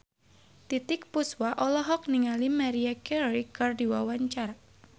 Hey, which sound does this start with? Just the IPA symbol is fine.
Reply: t̪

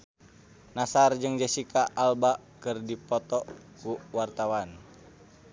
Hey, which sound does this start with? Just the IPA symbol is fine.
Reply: n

